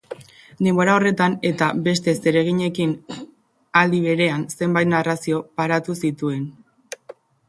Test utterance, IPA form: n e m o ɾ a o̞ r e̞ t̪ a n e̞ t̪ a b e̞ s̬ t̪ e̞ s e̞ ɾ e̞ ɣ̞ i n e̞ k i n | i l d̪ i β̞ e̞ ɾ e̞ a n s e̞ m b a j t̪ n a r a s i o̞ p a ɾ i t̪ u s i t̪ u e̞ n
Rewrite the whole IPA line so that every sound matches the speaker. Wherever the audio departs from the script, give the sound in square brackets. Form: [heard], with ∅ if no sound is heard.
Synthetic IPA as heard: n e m o ɾ a o̞ r e̞ t̪ a n e̞ t̪ a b e̞ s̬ t̪ e̞ s e̞ ɾ e̞ ɣ̞ i [ɲ] e̞ k i n | [a] l d̪ i β̞ e̞ ɾ e̞ a n s e̞ m b a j t̪ n a r a s i o̞ p a ɾ [a] t̪ u s i t̪ u e̞ n